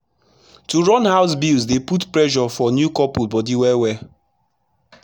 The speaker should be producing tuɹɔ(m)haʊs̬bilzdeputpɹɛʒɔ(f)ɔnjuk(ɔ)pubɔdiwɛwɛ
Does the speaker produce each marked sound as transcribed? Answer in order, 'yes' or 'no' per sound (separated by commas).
no, yes, yes